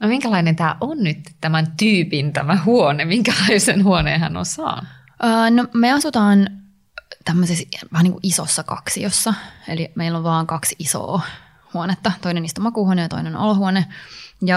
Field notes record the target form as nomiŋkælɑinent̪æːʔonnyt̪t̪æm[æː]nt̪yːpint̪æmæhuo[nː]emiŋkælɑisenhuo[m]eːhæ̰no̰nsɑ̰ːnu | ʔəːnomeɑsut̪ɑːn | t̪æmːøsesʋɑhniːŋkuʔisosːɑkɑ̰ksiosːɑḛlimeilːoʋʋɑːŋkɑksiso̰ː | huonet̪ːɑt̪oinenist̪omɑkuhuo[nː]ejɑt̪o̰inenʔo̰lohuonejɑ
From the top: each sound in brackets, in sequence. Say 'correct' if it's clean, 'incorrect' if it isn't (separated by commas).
incorrect, incorrect, incorrect, incorrect